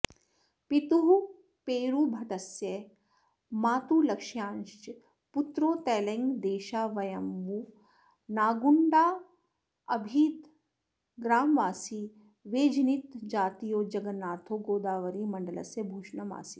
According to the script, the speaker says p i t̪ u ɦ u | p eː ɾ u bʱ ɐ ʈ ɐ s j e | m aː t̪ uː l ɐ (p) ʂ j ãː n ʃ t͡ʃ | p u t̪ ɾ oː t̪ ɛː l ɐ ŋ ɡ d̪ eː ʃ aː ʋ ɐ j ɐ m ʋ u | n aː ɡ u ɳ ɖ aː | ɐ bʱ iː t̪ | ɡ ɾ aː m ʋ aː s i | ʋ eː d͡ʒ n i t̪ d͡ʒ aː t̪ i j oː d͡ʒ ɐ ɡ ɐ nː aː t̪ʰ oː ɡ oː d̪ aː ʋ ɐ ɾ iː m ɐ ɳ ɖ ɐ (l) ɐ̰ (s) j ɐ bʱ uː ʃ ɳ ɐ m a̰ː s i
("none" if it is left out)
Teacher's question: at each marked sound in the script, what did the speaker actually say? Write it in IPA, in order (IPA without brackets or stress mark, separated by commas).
k, l, s